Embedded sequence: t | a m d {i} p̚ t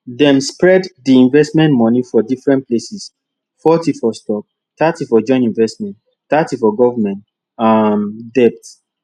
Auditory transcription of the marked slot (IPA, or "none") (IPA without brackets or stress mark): ɛ